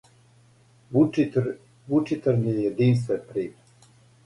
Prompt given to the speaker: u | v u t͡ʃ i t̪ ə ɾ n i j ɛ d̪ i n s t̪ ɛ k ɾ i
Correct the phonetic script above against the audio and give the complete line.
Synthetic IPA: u | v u t͡ʃ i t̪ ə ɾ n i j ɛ d̪ i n s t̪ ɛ p ɾ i

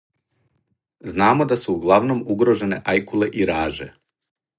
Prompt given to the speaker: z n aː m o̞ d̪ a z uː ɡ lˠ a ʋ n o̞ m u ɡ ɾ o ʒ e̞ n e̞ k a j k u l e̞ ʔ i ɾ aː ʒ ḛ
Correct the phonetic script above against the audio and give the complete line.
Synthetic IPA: z n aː m o̞ d̪ a s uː ɡ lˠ a ʋ n o̞ m u ɡ ɾ o ʒ e̞ n e̞ ʔ a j k u l e̞ ʔ i ɾ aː ʒ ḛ

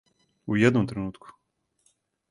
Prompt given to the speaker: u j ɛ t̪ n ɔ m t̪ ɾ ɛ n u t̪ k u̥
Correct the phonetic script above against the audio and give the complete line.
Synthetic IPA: u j ɛ d̪ n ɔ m t̪ ɾ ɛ n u t̪ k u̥

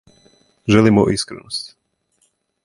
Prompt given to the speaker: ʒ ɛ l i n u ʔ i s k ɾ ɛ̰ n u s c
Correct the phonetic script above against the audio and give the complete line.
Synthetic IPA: ʒ ɛ l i m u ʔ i s k ɾ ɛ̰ n ɔ s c

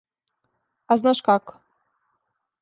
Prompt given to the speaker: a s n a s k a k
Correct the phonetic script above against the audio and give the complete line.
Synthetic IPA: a z n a ʃ k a k

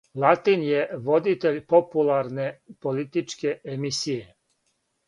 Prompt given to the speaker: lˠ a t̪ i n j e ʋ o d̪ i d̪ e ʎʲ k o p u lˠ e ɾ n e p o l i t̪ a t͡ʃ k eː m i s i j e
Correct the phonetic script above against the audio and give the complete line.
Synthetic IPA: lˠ a t̪ i n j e ʋ o d̪ i t̪ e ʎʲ p o p u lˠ a ɾ n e p o l i t̪ i t͡ʃ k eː m i s i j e

